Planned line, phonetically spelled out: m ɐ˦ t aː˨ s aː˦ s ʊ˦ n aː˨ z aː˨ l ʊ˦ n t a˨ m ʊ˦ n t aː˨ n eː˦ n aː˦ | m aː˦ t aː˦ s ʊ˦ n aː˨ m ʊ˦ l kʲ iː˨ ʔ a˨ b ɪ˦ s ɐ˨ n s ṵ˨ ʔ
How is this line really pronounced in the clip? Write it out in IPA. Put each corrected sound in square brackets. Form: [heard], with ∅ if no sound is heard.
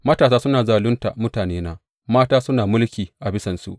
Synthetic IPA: m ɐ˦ t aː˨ s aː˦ s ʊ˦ n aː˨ z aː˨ l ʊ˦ n t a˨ m ʊ˦ [∅] t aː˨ n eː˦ n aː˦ | m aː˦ t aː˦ s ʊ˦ n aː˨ m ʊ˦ l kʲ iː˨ ʔ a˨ b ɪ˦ s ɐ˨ n s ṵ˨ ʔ